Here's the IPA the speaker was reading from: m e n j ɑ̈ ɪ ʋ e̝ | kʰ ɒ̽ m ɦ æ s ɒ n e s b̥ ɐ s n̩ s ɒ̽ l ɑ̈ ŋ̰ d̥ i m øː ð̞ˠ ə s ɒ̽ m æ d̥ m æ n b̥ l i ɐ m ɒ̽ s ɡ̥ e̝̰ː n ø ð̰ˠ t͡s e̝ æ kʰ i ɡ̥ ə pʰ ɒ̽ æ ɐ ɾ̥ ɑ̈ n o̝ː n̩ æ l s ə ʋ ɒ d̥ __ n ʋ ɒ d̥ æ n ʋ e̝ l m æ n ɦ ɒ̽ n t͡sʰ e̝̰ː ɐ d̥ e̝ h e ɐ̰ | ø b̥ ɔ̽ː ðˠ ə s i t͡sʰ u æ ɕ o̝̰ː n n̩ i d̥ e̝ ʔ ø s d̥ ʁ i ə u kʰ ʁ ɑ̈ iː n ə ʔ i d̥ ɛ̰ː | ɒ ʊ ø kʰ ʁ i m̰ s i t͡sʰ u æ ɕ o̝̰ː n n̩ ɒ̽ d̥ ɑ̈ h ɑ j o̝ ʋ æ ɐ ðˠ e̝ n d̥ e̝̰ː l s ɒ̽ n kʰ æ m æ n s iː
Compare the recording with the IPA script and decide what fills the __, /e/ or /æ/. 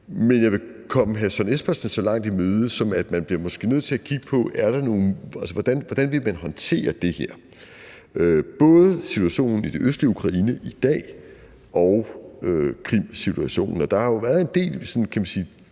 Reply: æ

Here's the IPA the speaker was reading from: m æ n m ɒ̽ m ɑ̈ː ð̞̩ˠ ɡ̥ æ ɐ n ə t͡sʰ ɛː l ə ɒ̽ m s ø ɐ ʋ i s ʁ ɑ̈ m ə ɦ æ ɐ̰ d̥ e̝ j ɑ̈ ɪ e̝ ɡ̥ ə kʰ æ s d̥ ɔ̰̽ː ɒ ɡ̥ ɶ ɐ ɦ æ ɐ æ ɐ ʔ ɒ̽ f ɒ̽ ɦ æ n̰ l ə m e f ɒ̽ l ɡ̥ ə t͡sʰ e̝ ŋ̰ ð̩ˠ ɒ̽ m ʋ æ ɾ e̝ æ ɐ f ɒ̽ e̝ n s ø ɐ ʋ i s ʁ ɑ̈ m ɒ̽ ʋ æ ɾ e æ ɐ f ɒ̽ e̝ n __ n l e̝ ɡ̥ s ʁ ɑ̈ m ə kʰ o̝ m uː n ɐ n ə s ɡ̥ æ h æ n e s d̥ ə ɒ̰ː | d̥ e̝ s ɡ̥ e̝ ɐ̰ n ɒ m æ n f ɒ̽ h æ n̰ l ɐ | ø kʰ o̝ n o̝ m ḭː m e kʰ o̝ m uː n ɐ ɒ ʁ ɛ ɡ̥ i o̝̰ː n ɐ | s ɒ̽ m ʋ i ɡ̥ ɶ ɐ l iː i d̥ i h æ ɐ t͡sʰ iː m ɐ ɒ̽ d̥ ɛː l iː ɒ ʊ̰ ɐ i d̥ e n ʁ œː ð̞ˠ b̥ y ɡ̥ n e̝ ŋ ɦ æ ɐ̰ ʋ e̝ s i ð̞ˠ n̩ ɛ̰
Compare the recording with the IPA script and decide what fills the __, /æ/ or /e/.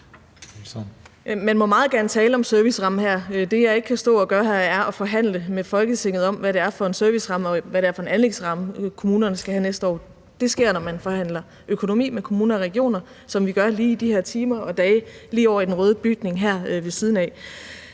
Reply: æ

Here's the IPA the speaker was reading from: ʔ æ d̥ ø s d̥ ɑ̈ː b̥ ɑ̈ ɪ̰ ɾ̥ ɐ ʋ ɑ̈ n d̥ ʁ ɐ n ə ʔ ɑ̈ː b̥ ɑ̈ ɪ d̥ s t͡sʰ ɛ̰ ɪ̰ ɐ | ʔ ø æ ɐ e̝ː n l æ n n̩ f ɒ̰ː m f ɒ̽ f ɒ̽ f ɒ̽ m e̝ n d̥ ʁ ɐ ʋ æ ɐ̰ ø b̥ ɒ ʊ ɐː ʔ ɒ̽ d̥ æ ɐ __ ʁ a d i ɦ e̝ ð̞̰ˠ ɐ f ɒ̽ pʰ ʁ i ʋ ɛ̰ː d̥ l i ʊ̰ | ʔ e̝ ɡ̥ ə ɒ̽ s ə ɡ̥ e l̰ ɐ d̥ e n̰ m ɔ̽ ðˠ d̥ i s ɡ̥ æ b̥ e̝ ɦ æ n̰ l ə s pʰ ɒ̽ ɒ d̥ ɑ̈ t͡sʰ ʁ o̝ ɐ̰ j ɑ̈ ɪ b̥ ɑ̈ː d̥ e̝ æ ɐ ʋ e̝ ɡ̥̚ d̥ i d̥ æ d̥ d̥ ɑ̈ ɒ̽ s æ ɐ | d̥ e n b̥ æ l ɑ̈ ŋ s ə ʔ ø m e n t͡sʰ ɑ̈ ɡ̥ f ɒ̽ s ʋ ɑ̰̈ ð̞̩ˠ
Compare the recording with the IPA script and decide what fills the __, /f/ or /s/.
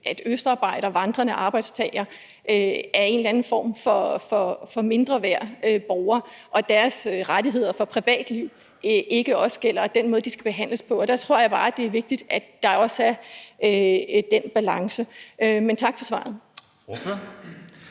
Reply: s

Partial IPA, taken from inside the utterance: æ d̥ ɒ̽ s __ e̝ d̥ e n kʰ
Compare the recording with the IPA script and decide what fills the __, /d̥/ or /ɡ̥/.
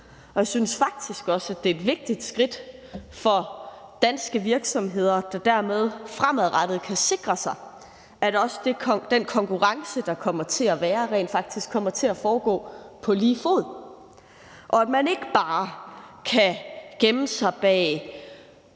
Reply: d̥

